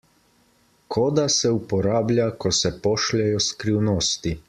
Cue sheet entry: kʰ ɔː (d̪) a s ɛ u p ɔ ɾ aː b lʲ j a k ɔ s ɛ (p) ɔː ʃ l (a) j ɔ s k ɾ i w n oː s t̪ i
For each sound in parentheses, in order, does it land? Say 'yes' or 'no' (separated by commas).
yes, yes, no